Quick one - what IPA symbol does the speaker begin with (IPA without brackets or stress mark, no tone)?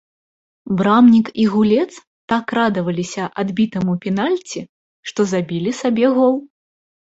b